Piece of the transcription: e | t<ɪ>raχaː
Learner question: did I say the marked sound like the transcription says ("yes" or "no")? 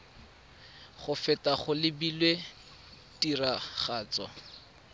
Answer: no